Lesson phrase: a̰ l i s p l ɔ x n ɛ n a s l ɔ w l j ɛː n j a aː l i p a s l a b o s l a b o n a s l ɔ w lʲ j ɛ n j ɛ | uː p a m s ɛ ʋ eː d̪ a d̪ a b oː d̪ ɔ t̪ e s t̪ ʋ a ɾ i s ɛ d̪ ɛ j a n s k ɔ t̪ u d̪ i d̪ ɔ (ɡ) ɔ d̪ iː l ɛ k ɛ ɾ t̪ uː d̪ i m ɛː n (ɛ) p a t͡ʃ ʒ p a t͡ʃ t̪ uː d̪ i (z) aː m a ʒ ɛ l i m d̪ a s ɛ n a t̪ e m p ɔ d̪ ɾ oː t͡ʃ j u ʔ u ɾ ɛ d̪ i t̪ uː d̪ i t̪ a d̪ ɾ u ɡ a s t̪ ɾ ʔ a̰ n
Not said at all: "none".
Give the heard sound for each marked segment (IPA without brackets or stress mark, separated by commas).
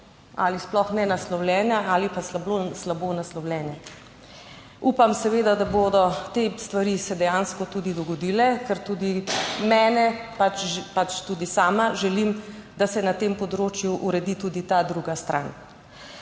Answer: ɡ, ɛ, s